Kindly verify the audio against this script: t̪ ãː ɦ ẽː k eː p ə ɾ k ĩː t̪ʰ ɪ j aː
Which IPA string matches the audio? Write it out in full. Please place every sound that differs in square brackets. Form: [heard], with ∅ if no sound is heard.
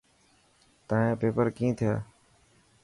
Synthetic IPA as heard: t̪ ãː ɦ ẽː [p] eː p ə ɾ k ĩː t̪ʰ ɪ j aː